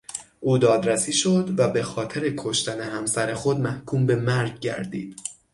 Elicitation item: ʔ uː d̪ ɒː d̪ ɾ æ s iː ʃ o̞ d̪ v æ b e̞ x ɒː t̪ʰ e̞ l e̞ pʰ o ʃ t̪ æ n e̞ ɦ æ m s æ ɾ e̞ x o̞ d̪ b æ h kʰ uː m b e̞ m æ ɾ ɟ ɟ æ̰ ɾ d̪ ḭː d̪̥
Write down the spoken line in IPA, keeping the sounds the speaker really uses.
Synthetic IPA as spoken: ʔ uː d̪ ɒː d̪ ɾ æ s iː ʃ o̞ d̪ v æ b e̞ x ɒː t̪ʰ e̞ ɾ e̞ kʰ o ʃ t̪ æ n e̞ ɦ æ m s æ ɾ e̞ x o̞ d̪ m æ h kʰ uː m b e̞ m æ ɾ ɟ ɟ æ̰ ɾ d̪ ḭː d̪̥